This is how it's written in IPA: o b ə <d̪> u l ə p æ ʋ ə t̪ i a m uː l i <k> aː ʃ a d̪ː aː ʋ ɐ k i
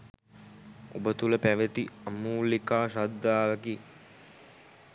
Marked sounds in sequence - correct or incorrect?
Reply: incorrect: t̪, correct

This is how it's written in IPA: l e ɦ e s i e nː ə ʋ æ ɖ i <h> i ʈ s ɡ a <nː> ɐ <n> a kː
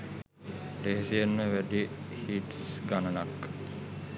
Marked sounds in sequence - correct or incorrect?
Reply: correct, incorrect: n, correct

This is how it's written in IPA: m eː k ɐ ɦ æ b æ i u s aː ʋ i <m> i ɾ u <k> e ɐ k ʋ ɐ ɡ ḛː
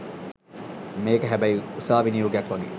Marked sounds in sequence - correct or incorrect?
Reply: incorrect: n, incorrect: ɡ

